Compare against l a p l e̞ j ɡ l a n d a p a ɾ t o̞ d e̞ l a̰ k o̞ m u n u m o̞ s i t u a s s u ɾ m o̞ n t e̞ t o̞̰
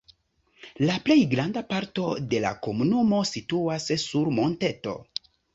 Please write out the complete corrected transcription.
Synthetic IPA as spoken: l a p l e̞ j ɡ ɾ a n d a p a ɾ t o̞ d e̞ l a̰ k o̞ m u n u m o̞ s i t u a s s u ɾ m o̞ n t e̞ t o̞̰